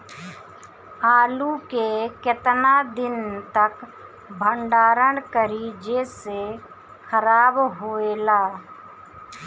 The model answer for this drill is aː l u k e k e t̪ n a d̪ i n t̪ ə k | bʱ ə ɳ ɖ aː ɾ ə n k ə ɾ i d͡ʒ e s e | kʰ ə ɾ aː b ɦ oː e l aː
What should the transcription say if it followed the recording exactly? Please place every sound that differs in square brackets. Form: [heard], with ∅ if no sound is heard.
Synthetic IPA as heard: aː l u k e k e t̪ n a d̪ [ɪ] n t̪ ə k | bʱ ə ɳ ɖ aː ɾ ə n k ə ɾ i d͡ʒ e s e | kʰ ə ɾ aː b ɦ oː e l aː